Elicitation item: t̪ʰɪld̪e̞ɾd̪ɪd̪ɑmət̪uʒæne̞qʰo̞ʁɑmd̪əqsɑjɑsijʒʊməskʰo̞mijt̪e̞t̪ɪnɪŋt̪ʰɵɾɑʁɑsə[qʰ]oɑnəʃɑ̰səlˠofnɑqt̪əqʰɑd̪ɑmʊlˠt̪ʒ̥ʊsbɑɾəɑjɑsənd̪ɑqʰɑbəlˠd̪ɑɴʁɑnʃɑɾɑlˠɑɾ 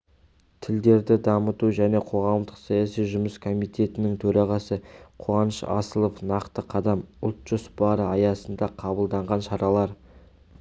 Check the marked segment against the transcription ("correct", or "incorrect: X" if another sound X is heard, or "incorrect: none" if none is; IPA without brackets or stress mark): correct